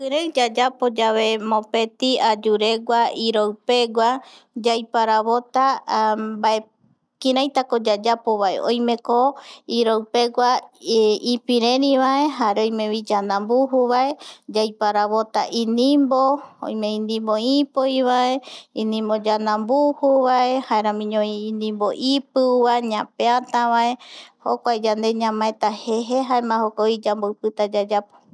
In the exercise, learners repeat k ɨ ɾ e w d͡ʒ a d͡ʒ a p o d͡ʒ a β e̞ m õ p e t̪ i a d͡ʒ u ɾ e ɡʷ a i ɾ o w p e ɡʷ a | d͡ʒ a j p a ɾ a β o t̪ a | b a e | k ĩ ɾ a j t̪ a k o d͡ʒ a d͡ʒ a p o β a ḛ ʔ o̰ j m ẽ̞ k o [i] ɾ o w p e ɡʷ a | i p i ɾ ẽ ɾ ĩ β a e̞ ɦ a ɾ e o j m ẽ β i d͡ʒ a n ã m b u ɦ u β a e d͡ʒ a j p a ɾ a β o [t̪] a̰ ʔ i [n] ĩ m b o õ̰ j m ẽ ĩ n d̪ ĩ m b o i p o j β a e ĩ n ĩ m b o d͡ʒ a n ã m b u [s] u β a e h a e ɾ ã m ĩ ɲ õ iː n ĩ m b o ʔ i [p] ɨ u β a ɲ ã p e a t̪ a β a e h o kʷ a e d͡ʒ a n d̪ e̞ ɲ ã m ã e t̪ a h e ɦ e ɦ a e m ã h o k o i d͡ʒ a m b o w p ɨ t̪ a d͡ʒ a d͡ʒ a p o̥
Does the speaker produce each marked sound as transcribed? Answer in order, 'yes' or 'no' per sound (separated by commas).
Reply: yes, yes, yes, no, yes